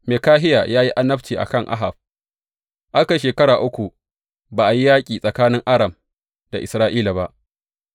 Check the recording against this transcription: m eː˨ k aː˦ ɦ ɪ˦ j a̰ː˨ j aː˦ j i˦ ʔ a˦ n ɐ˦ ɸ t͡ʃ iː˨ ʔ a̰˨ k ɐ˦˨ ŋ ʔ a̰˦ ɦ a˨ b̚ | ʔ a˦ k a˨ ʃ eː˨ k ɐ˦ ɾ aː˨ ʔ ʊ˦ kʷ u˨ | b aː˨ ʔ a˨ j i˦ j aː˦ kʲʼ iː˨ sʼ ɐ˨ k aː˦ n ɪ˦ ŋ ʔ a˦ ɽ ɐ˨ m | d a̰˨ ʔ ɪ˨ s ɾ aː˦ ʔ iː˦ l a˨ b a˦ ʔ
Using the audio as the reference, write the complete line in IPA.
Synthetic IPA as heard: m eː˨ k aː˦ ɦ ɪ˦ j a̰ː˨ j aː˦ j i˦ ʔ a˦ n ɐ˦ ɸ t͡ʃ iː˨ ʔ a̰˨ k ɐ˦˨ ŋ ʔ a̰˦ ɦ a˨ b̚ | ʔ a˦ k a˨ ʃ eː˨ k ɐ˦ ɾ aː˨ ʔ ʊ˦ kʷ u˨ | b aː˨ ʔ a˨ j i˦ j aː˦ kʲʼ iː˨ sʼ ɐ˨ k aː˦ n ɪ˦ ŋ ʔ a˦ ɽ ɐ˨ m | d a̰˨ ʔ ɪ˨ s ɾ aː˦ ʔ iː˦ l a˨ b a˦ ʔ